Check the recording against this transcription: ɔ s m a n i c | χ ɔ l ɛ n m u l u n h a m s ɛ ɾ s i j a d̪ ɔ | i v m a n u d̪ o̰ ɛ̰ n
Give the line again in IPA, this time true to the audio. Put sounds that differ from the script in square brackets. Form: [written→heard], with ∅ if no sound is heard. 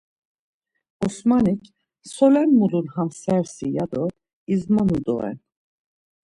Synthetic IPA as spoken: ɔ s m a n i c | [χ→s] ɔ l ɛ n m u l u n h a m s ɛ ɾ s i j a d̪ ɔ | i [v→z] m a n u d̪ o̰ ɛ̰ n

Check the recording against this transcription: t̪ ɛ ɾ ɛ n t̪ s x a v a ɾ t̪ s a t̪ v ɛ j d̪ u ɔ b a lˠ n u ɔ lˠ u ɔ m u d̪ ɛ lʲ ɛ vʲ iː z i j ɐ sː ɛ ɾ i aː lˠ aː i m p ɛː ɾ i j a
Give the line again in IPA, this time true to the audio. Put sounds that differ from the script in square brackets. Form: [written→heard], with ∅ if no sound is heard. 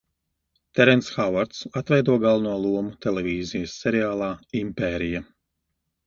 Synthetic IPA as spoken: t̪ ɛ ɾ ɛ n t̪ s x a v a ɾ t̪ s a t̪ v ɛ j d̪ u ɔ [b→ɡ] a lˠ n u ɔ lˠ u ɔ m u [d̪→t̪] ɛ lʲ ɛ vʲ iː z i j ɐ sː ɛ ɾ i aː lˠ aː i m p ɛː ɾ i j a

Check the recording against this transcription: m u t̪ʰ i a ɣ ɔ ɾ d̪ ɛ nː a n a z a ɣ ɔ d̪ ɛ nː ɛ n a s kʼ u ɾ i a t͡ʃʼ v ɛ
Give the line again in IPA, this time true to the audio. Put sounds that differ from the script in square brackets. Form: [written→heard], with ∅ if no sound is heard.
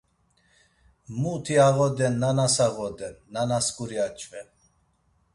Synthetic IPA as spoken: m u t̪ʰ i a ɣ ɔ [ɾ→∅] d̪ ɛ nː a n a [z→s] a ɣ ɔ d̪ ɛ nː [ɛ→a] n a s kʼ u ɾ i a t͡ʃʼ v ɛ

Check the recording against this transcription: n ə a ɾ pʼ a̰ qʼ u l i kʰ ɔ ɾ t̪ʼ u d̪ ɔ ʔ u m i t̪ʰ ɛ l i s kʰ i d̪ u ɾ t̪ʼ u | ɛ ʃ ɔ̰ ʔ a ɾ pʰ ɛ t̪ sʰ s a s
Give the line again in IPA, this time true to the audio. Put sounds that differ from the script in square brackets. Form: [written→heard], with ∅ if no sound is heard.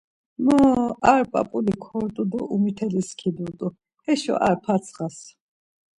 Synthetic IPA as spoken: [n→m] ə a ɾ pʼ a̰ [qʼ→pʼ] u l i kʰ ɔ ɾ t̪ʼ u d̪ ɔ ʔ u m i t̪ʰ ɛ l i s kʰ i d̪ u ɾ t̪ʼ u | ɛ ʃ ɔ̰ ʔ a ɾ pʰ [ɛ→a] t̪ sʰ [s→χ] a s

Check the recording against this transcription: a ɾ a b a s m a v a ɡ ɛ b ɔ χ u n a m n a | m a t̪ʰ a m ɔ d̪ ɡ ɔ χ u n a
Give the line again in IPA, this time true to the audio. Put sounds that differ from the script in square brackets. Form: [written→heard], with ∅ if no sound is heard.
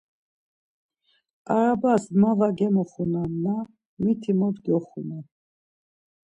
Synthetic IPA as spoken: a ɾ a b a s m a v a ɡ ɛ [b→m] ɔ χ u n a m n a | m [a→i] t̪ʰ [a→i] m ɔ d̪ ɡ ɔ χ u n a

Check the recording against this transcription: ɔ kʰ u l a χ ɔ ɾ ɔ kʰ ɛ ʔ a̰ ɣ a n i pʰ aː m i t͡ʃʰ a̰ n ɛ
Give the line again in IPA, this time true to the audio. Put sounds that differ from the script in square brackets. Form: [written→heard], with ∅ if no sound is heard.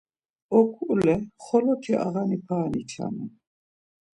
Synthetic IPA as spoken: ɔ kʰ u l [a→ɛ] χ ɔ [ɾ→l] ɔ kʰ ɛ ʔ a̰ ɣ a n i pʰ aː [m→n] i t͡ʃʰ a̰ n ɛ

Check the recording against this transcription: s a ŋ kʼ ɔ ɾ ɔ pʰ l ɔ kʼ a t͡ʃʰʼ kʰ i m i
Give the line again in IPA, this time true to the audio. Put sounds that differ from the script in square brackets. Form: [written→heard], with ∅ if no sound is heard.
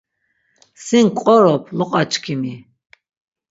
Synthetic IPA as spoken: s [a→i] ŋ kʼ ɔ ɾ ɔ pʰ l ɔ [kʼ→qʼ] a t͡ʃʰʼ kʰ i m i

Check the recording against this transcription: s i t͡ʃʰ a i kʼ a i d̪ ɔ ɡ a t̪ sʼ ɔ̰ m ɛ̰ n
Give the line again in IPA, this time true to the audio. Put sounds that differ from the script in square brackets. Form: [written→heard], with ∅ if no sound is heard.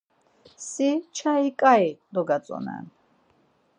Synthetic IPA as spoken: s i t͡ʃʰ a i kʼ a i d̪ ɔ ɡ a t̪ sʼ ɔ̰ [m→n] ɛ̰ n

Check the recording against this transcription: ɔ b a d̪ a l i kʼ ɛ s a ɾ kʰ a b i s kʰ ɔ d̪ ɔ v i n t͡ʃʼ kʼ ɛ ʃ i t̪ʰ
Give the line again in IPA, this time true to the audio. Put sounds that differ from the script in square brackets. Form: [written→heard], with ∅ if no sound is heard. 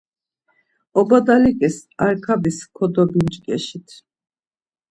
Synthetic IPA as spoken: ɔ b a d̪ a l i kʼ ɛ s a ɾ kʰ a b i s kʰ ɔ d̪ ɔ [v→b] i n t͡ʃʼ kʼ ɛ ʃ i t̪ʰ

